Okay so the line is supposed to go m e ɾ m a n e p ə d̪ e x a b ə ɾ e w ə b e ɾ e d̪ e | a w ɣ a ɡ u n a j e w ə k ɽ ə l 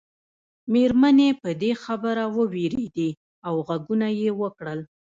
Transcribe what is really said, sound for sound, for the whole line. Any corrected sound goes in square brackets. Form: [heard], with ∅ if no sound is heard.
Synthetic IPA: m e ɾ m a n e p ə d̪ e x a b ə ɾ [a] w ə [w] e ɾ e d̪ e | a w ɣ a ɡ u n a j e w ə k ɽ ə l